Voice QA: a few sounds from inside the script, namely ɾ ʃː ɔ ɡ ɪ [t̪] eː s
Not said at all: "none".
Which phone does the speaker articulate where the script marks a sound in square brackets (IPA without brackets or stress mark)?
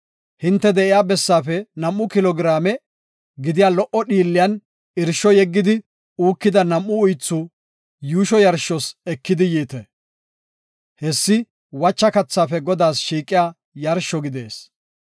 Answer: d̪